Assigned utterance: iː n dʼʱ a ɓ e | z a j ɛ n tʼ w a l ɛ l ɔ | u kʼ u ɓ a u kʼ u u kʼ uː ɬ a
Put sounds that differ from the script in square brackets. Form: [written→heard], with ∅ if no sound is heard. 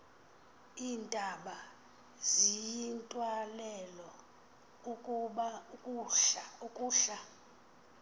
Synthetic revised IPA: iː n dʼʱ a ɓ [e→a] | z [a→i] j [ɛ→i] n tʼ w a l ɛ l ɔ | u kʼ u ɓ a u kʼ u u kʼ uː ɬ a